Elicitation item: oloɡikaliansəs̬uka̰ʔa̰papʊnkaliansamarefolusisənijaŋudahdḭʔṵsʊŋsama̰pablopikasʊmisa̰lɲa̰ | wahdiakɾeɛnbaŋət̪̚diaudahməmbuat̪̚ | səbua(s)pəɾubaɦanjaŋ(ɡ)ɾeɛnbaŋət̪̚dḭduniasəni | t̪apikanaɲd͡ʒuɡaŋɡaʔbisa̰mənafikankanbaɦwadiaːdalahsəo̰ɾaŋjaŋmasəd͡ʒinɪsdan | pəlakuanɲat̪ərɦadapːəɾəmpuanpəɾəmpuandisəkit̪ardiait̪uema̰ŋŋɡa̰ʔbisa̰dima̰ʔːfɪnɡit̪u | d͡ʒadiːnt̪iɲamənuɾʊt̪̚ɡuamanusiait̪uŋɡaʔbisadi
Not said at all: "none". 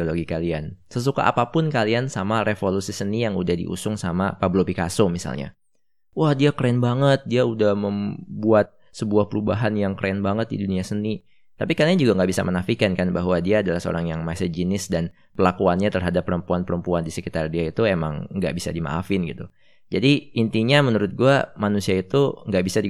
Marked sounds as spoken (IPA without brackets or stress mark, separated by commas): h, k